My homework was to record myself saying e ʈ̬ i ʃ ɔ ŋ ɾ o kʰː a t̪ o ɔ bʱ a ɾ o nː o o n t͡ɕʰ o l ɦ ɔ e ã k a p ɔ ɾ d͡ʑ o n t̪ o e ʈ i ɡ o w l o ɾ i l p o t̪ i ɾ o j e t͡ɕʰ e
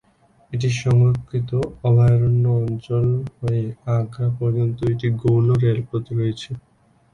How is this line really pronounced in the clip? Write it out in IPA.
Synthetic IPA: e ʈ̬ i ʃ ɔ ŋ ɾ o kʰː i t̪ o ɔ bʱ a ɾ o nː o ɔ n t͡ɕ o l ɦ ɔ e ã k a p ɔ ɾ d͡ʑ o n t̪ o e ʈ i ɡ o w l o ɾ e l p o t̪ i ɾ o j e t͡ɕʰ e

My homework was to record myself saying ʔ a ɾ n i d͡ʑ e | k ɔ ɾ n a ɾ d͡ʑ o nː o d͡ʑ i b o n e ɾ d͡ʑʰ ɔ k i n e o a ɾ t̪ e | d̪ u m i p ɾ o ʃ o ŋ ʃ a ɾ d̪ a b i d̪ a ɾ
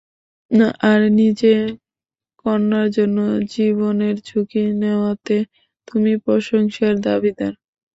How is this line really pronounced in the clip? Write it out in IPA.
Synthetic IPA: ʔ a ɾ n i d͡ʑ e | k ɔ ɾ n a ɾ d͡ʑ o nː o d͡ʑ i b o n e ɾ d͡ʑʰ u k i n e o a t̪ e | t̪ u m i p ɾ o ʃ o ŋ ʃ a ɾ d̪ a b i d̪ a ɾ

